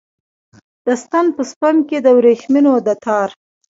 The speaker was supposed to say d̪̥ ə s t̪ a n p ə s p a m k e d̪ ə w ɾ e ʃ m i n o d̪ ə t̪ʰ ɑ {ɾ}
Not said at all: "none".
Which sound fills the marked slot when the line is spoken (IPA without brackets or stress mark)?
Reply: ɾ